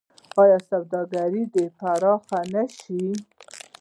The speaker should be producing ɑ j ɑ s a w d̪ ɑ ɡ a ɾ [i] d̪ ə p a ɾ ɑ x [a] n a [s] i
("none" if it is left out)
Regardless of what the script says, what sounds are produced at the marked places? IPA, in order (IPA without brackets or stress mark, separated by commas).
i, a, ʃ